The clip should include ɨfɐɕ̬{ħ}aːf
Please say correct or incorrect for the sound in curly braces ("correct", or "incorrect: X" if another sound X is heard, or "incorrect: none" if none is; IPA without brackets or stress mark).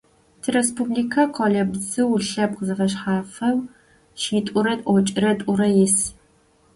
correct